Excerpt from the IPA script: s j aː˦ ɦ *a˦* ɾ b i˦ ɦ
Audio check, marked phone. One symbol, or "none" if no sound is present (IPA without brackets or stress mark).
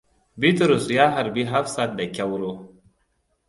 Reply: a˨